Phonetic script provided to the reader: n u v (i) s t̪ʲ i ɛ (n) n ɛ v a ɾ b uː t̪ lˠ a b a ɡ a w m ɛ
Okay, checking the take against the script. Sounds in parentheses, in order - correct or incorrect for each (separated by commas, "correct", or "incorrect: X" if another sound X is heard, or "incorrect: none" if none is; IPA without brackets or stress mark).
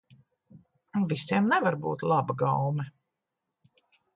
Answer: correct, incorrect: m